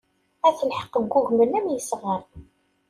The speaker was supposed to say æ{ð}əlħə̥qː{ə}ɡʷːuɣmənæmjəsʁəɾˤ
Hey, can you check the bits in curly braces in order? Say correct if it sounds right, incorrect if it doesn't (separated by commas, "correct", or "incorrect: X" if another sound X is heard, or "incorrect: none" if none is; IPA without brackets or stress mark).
incorrect: θ, correct